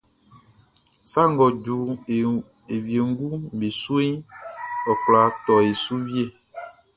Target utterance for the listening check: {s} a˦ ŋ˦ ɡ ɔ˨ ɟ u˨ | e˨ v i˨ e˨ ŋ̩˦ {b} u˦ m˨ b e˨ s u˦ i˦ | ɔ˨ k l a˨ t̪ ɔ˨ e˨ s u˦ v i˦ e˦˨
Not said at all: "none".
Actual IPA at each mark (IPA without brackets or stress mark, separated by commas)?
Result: s, ɡ